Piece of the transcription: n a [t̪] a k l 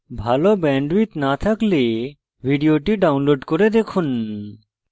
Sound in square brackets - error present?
yes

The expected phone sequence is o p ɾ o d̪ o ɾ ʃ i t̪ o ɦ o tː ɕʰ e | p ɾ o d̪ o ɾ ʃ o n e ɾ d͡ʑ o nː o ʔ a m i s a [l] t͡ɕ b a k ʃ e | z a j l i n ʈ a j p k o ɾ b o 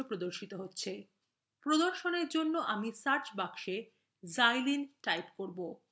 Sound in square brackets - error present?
yes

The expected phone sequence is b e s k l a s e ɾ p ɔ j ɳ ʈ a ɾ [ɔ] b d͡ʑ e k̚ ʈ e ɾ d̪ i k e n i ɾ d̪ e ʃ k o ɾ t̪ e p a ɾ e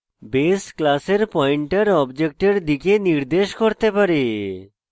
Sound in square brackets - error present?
no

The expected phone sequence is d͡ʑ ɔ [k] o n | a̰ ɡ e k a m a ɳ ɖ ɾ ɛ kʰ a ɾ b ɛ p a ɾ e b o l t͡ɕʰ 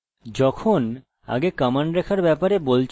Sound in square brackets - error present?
yes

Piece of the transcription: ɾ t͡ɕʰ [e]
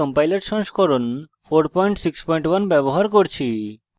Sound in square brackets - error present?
yes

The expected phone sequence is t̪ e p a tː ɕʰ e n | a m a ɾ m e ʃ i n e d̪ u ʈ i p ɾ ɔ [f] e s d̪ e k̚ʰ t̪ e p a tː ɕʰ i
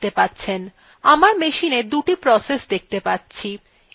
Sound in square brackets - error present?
yes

